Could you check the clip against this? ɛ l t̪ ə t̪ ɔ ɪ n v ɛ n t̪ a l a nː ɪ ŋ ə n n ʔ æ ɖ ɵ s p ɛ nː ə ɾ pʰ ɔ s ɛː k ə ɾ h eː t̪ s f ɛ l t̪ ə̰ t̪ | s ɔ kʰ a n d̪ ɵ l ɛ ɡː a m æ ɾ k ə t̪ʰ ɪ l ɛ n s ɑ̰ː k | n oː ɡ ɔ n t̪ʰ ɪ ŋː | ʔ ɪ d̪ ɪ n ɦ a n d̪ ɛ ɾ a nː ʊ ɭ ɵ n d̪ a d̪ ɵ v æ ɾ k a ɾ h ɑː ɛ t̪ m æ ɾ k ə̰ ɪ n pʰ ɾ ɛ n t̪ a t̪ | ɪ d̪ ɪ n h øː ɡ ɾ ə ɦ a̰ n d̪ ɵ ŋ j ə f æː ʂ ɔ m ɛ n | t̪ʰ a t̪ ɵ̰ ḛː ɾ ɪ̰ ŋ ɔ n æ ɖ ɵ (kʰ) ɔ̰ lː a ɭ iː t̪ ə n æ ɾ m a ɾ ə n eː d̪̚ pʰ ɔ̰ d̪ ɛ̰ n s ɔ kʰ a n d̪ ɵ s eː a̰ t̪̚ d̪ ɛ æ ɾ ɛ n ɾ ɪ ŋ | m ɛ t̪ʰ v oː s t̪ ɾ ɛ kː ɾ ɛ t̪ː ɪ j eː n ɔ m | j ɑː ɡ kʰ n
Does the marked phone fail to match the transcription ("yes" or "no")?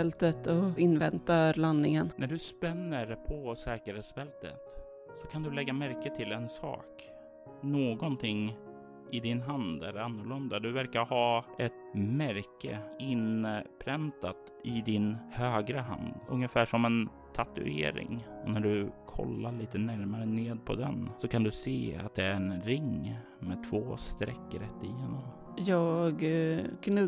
no